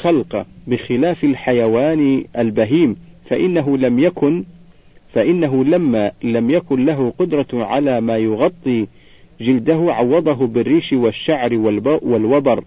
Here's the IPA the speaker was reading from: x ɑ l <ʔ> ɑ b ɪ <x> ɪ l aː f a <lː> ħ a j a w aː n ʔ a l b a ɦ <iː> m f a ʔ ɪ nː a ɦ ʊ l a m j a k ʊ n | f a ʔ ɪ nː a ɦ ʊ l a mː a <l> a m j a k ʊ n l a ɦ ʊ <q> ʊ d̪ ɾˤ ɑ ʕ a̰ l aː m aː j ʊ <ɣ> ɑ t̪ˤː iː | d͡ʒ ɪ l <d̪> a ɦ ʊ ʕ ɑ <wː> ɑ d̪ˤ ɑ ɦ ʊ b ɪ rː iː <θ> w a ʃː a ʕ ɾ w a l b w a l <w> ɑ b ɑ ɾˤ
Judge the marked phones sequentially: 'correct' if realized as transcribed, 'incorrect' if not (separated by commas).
incorrect, correct, incorrect, correct, correct, correct, correct, correct, correct, incorrect, correct